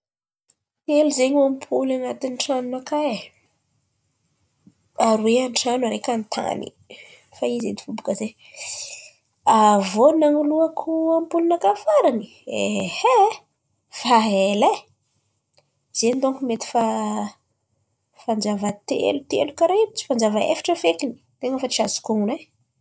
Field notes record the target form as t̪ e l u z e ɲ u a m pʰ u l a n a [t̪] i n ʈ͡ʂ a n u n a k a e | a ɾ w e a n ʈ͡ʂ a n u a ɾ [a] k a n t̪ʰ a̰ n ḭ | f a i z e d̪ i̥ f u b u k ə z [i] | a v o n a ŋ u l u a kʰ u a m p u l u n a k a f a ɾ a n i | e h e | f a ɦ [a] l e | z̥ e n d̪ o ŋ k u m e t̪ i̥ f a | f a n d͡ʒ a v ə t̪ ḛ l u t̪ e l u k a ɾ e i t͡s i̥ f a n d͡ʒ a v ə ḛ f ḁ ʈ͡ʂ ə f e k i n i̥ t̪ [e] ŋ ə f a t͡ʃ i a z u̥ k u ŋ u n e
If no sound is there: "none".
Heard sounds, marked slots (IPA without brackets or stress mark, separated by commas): t̪, e, e, e, e